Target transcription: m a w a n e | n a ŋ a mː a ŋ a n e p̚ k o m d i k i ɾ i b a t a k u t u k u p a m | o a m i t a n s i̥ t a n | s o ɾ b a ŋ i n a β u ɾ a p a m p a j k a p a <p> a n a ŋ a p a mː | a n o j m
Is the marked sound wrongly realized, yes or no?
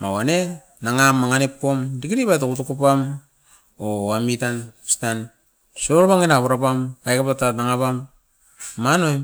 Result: yes